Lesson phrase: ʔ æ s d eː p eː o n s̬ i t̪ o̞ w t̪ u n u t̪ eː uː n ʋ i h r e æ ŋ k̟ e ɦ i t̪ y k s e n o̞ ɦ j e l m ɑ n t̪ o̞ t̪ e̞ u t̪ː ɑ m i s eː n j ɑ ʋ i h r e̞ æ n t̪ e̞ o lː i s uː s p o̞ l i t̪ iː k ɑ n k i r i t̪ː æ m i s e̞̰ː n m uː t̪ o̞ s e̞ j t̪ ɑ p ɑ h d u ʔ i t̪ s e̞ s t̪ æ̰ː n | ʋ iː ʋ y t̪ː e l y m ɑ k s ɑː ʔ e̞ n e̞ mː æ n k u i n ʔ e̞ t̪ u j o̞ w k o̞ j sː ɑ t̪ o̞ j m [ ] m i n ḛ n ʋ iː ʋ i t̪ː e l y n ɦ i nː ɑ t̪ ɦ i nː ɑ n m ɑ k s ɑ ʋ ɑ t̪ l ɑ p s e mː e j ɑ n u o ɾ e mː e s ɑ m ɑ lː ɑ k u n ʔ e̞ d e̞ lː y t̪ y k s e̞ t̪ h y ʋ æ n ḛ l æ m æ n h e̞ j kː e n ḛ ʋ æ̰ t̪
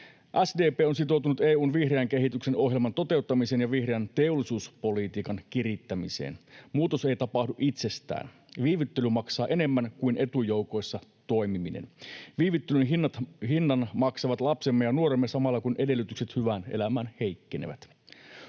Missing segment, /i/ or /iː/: i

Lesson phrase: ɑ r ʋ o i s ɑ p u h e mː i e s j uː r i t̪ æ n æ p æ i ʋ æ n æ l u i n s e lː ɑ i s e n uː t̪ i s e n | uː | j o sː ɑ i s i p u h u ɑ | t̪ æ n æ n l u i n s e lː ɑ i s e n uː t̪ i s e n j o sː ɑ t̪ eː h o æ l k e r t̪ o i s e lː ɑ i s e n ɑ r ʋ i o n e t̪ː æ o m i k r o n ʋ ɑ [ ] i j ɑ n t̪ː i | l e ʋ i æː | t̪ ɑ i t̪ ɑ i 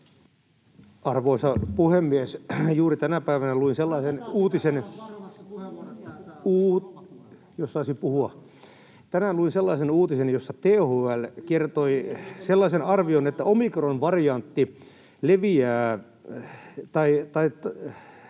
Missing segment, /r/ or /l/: r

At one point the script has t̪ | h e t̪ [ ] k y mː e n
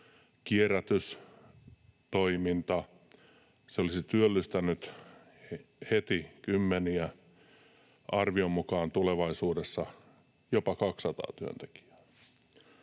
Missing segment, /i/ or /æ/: i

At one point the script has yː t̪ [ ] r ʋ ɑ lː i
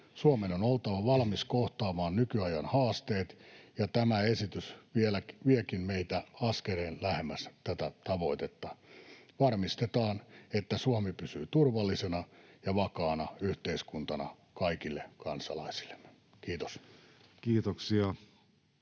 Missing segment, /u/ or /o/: u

